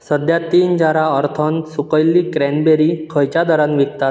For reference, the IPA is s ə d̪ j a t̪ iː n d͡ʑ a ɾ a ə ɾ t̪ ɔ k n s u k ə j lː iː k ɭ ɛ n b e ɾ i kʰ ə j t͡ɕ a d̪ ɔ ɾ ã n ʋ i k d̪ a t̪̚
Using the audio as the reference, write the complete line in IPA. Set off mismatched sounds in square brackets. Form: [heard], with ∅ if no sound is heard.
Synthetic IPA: s ə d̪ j a t̪ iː n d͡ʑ a ɾ a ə ɾ [t̪ʰ] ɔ [∅] n s u k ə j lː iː k [ɾ] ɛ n b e ɾ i kʰ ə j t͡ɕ a d̪ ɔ ɾ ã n ʋ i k [t̪] a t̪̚